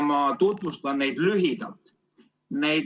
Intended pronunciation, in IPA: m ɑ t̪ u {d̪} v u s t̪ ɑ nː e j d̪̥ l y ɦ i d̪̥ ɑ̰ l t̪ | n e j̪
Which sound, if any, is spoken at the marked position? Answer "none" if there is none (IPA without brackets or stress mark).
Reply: t̪